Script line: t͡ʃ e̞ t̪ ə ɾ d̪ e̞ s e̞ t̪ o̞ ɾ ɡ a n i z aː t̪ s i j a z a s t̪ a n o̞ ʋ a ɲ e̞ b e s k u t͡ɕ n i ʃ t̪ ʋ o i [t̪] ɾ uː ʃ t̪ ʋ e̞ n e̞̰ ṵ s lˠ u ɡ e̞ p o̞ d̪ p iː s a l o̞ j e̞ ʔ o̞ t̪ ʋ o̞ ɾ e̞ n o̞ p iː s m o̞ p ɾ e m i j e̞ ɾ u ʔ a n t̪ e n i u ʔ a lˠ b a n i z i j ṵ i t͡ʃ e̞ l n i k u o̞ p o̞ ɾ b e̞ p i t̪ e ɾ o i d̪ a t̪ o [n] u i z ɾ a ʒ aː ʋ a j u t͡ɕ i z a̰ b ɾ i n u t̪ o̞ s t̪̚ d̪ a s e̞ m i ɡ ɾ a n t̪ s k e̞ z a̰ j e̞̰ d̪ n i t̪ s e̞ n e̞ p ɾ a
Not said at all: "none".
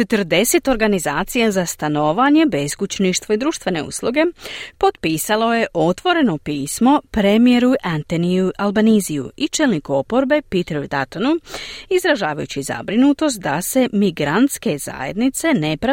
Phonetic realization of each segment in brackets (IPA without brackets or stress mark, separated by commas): d̪, n